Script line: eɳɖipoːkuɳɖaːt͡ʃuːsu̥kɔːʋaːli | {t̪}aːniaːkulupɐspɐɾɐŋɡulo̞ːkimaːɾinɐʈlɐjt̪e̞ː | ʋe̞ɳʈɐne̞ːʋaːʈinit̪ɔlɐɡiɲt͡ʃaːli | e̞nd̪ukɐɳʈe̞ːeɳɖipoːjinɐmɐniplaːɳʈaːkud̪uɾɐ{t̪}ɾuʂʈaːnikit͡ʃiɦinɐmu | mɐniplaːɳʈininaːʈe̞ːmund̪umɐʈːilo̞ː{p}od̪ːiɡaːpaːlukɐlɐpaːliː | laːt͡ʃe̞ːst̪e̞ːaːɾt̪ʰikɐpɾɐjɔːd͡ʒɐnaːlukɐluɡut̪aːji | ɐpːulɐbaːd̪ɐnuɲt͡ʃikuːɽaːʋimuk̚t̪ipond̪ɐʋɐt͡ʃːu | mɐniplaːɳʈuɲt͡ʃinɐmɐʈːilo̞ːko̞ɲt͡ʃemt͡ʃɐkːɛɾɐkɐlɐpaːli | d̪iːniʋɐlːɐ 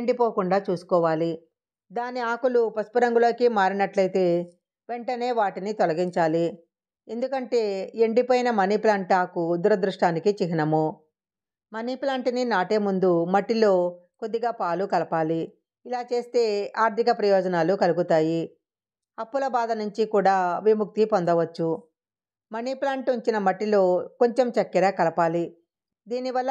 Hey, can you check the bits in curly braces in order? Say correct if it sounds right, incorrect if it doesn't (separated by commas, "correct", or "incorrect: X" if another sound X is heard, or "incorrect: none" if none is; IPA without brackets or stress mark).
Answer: incorrect: d̪, incorrect: d̪, incorrect: k